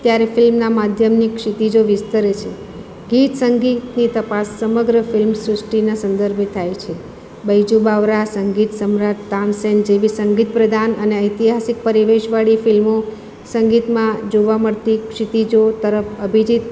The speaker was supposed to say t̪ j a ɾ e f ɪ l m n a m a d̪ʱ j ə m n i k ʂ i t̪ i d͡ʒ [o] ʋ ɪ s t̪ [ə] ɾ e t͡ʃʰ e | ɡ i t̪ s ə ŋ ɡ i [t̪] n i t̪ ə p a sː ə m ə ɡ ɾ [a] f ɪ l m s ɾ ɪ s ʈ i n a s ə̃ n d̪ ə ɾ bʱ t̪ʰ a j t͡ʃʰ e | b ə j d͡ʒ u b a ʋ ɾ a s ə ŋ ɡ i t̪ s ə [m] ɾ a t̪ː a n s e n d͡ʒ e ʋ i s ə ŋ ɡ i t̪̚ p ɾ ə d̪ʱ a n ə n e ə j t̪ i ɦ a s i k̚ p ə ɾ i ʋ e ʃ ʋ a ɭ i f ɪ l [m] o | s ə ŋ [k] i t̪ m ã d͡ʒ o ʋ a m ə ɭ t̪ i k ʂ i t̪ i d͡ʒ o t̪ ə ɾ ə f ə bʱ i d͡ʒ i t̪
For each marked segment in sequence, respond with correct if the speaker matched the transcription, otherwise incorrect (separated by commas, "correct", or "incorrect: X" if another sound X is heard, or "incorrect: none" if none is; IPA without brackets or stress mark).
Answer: correct, correct, correct, incorrect: ə, correct, correct, incorrect: ɡ